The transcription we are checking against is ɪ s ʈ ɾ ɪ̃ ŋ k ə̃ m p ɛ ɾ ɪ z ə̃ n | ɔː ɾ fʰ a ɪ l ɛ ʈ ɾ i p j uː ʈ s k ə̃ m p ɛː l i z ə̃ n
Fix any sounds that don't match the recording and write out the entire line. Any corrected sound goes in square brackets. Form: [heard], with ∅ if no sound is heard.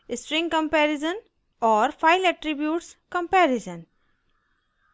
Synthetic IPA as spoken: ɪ s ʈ ɾ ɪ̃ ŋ k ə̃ m p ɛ ɾ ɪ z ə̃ n | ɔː ɾ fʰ a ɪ l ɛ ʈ ɾ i [b] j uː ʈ s k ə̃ m p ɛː [ɾ] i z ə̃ n